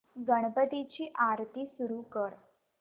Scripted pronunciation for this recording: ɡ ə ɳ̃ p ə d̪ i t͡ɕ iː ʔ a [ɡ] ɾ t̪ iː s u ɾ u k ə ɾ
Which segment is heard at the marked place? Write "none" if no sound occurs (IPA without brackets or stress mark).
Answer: none